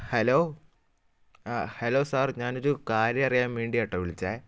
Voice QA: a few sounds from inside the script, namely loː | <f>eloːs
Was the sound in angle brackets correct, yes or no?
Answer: no